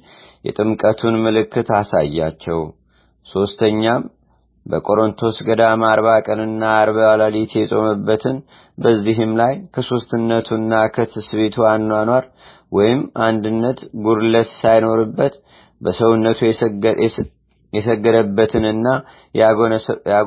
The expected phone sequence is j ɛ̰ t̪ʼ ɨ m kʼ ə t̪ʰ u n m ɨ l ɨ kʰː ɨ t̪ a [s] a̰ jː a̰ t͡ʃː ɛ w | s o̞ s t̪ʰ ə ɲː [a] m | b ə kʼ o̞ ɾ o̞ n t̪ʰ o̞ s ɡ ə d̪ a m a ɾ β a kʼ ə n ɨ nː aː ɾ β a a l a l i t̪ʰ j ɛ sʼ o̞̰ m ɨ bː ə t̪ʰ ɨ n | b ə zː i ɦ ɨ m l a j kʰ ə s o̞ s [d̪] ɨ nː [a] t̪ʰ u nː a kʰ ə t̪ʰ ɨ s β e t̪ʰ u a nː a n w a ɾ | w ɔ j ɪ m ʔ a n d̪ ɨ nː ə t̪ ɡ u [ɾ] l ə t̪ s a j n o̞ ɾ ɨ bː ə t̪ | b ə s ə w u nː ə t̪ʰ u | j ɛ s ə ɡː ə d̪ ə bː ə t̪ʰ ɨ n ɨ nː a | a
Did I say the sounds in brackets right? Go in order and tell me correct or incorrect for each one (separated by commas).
correct, correct, incorrect, incorrect, correct